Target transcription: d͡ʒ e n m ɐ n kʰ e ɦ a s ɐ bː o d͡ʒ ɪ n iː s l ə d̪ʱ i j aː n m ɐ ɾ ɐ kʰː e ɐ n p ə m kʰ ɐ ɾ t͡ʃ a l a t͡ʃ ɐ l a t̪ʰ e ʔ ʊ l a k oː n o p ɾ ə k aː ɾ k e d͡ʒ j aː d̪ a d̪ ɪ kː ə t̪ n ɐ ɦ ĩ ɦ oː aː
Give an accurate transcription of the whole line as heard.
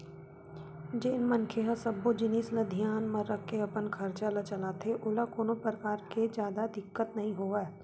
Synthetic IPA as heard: d͡ʒ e n m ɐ n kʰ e ɦ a s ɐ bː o d͡ʒ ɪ n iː s l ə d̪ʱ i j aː n m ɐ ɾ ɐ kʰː e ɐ p ə n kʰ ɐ ɾ t͡ʃ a l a t͡ʃ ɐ l a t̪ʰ e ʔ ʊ l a k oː n o p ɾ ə k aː ɾ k e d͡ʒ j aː d̪ a d̪ ɪ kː ə t̪ n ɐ ɦ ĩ ɦ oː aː